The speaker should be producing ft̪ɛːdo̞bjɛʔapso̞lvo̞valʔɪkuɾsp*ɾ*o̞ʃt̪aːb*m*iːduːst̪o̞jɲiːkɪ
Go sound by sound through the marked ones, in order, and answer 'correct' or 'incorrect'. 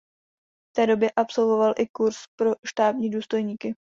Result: correct, incorrect: ɲ

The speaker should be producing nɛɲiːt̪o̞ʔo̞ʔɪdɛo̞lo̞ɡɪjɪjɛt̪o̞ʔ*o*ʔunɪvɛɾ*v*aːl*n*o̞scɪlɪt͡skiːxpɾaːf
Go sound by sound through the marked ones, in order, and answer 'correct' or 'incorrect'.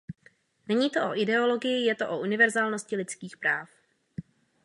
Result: correct, incorrect: z, correct

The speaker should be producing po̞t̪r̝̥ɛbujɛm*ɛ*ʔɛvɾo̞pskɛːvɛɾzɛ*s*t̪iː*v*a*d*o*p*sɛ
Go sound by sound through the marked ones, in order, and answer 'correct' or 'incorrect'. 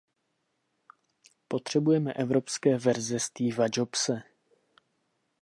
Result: correct, correct, correct, incorrect: d͡ʒ, correct

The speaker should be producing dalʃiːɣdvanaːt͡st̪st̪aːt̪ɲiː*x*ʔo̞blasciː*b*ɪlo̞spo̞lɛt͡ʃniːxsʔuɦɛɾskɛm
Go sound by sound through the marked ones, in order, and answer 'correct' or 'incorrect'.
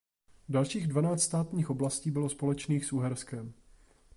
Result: correct, correct

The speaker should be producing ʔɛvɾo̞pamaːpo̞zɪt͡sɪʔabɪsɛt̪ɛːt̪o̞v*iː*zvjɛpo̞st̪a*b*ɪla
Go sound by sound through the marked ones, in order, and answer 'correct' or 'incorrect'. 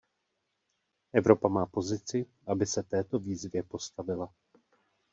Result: correct, incorrect: v

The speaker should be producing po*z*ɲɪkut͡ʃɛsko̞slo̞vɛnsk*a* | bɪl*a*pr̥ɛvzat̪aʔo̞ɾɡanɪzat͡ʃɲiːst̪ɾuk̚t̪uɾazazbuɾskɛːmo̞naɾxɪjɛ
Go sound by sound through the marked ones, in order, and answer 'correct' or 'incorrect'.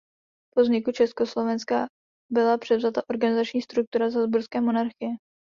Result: correct, correct, correct

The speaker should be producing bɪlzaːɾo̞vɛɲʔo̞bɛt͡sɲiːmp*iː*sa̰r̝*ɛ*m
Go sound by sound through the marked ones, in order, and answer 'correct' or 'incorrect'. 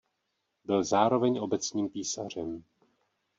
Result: correct, correct

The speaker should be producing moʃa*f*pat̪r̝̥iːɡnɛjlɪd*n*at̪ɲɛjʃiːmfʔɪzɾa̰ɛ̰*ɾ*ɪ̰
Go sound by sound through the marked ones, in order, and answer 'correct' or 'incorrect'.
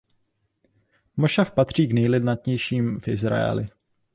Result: correct, correct, incorrect: l

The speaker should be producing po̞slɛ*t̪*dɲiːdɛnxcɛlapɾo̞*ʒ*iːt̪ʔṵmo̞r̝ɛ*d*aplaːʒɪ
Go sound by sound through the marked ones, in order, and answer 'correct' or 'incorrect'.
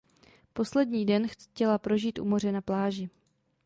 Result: incorrect: none, correct, incorrect: n

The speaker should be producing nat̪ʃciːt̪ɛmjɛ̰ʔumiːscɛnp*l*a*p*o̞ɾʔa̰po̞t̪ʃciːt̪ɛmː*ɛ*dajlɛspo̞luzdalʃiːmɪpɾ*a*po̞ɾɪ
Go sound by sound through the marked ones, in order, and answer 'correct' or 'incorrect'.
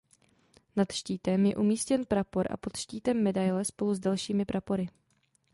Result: incorrect: ɾ, correct, correct, correct

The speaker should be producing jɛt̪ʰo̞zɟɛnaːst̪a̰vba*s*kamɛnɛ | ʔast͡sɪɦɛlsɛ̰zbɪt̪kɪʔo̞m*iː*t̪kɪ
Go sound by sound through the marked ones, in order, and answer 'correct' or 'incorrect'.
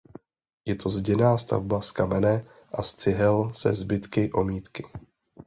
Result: correct, correct

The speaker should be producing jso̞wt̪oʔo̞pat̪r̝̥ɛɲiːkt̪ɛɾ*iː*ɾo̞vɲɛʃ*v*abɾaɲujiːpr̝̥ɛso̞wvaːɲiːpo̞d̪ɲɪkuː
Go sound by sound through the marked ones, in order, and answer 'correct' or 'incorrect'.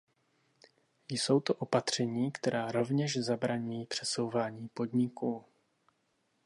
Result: incorrect: aː, incorrect: z

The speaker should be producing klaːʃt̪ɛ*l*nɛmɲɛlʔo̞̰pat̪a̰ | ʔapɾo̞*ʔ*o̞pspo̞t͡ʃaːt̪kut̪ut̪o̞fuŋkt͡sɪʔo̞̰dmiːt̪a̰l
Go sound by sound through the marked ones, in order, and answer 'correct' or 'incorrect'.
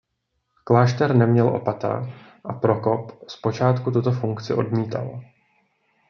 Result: incorrect: ɾ, incorrect: k

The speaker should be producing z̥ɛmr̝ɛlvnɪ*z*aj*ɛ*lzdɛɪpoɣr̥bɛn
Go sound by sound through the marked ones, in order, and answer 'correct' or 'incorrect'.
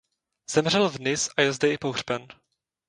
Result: incorrect: s, correct

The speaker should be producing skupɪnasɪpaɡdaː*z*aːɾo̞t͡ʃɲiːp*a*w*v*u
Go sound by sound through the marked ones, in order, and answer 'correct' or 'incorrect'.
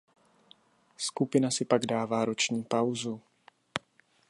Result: incorrect: v, correct, incorrect: z

